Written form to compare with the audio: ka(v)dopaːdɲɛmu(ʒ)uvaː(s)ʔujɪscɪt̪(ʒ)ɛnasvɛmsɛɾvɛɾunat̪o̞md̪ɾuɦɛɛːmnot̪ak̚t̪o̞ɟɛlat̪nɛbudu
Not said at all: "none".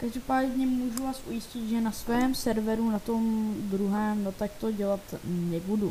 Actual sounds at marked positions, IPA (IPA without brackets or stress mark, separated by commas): ʒ, ʒ, s, ʒ